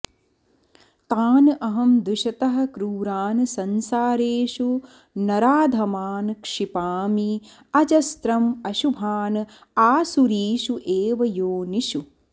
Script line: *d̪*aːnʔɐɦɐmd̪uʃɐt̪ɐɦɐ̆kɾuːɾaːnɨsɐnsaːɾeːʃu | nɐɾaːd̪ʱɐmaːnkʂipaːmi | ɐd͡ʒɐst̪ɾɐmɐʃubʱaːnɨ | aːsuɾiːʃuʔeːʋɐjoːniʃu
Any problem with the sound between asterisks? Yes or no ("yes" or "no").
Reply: yes